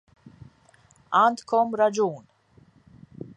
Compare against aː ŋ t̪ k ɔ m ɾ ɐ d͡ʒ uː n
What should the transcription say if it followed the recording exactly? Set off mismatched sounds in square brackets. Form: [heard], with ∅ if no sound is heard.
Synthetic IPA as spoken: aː [n] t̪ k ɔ m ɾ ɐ d͡ʒ uː n